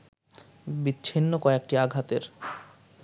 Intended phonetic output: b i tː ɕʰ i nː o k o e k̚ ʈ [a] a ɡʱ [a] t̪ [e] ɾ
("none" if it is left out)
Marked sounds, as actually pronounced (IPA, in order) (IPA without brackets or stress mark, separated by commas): i, a, e